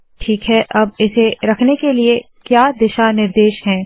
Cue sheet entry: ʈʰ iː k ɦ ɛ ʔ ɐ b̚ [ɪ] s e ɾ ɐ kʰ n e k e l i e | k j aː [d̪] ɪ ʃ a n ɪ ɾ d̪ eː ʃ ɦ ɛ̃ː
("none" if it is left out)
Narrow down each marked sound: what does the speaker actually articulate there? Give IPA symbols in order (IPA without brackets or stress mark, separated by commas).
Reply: ɪ, d̪